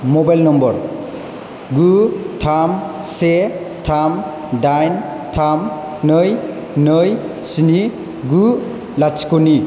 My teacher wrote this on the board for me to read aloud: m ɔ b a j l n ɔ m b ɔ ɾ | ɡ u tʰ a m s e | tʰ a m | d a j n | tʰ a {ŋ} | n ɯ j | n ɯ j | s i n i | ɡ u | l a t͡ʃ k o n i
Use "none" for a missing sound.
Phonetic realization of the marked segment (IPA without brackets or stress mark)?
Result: m